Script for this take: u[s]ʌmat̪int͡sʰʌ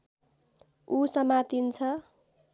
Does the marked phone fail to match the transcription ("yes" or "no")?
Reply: no